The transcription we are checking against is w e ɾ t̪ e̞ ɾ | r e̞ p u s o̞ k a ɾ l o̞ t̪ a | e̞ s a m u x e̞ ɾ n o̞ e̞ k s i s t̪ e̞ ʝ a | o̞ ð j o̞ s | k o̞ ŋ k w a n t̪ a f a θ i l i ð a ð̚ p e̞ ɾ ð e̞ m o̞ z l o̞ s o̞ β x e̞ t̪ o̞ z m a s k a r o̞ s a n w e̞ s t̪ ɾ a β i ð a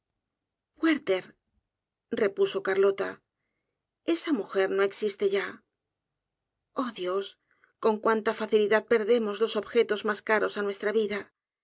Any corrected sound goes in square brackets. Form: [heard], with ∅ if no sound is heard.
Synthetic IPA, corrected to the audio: w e ɾ t̪ e̞ ɾ | r e̞ p u s o̞ k a ɾ l o̞ t̪ a | e̞ s a m u x e̞ ɾ n o̞ e̞ k s i s t̪ e̞ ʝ a | o̞ ð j o̞ s | k o̞ ŋ k w a n t̪ a f a θ i l i ð a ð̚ p e̞ ɾ ð e̞ m o̞ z l o̞ s o̞ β x e̞ t̪ o̞ z m a s k a [ɾ] o̞ s a n w e̞ s t̪ ɾ a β i ð a